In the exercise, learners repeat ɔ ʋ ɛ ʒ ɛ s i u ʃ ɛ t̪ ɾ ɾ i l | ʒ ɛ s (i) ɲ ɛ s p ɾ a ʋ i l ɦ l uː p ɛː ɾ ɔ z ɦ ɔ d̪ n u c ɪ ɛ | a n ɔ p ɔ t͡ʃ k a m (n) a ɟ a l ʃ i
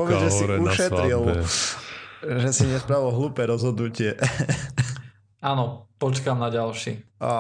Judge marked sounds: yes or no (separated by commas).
yes, yes